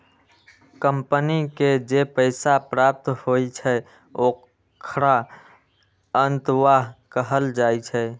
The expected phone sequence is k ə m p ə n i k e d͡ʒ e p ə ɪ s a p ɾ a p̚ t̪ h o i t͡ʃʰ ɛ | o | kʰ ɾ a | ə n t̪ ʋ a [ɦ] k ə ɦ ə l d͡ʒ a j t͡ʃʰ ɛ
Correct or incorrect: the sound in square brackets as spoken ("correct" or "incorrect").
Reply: correct